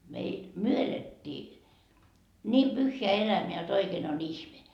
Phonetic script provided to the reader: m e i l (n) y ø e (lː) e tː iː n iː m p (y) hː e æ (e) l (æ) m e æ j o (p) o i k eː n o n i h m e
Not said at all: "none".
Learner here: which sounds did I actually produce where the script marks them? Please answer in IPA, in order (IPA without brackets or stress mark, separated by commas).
m, l, y, e, æ, t